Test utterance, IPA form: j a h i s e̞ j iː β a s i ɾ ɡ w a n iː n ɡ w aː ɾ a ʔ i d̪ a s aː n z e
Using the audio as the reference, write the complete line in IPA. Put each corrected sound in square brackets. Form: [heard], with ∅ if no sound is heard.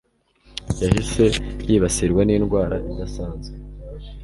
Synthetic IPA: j a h i s e̞ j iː β a s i ɾ ɡ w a n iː n ɡ w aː ɾ a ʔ i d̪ a s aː n z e